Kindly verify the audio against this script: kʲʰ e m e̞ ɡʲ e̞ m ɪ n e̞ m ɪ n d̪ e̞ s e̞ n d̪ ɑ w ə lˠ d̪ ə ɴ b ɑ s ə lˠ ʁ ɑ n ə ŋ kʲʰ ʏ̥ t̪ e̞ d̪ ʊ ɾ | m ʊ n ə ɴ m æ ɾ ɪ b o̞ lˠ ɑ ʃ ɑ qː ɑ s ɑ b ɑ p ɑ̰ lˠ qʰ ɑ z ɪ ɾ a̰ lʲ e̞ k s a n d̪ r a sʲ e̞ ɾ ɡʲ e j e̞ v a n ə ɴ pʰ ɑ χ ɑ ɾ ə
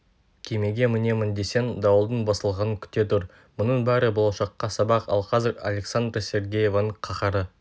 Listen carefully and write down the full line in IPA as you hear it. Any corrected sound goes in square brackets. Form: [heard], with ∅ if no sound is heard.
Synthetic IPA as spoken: kʲʰ e m e̞ ɡʲ e̞ m ɪ n e̞ m ɪ n d̪ e̞ s e̞ n d̪ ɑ w ə lˠ d̪ ə ɴ b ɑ s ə lˠ ʁ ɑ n ə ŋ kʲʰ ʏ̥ t̪ e̞ [t̪] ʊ ɾ | m ʊ n ə ɴ [b] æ ɾ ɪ b o̞ lˠ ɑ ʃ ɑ qː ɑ s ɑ b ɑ [q] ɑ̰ lˠ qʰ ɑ z ɪ ɾ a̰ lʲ e̞ k s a n d̪ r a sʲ e̞ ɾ ɡʲ e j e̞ v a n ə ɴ [qʰ] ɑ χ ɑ ɾ ə